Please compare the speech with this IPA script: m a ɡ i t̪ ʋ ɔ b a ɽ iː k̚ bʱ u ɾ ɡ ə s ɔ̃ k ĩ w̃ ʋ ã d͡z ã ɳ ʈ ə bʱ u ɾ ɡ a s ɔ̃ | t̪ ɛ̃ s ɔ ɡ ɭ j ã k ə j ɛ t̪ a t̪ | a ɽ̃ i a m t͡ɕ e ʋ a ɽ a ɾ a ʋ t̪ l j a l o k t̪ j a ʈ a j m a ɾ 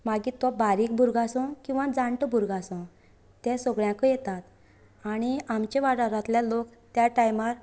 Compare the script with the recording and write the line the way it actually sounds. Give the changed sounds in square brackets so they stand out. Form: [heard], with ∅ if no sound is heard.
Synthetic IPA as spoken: m a ɡ i t̪ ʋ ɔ b a [ɾ] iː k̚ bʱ u ɾ ɡ [a] s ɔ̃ k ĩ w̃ ʋ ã d͡z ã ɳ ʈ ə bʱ u ɾ ɡ a s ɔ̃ | t̪ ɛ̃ s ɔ ɡ ɭ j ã k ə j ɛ t̪ a t̪ | a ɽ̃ i a m t͡ɕ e ʋ a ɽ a ɾ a [∅] t̪ l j a l o k t̪ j a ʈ a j m a ɾ